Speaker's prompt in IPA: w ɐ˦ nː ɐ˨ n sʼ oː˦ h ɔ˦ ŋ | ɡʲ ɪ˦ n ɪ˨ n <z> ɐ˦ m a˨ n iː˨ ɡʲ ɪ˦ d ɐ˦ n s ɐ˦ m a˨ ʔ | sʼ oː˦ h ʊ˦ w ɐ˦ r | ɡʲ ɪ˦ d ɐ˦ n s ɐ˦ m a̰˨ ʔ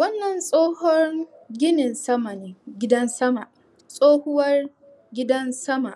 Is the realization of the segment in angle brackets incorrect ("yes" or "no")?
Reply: yes